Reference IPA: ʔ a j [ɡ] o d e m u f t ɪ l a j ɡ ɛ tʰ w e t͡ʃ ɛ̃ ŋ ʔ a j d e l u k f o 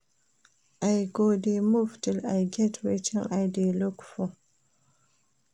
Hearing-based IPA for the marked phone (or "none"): ɡ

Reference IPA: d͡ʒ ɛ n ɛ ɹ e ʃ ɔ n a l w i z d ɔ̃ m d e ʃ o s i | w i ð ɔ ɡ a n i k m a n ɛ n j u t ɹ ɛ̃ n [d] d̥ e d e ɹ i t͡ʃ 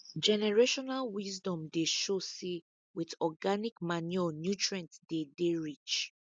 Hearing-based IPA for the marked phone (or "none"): t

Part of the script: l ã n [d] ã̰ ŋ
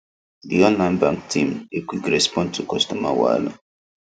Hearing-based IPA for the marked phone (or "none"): b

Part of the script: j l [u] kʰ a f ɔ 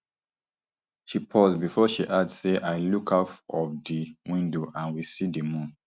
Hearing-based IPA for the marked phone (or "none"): u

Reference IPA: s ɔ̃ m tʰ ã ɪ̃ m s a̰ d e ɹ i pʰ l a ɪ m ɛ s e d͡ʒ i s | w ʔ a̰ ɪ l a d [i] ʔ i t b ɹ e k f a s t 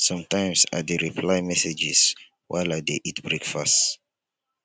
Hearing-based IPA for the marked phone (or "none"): e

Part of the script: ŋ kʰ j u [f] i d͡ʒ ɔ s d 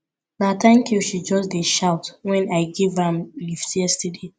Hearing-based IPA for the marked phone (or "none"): ʃ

